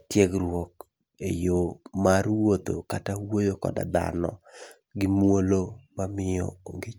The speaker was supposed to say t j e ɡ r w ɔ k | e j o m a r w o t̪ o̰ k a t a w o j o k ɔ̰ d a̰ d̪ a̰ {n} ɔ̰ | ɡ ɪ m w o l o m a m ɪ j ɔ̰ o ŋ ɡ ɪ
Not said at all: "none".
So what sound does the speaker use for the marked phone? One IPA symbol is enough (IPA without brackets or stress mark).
n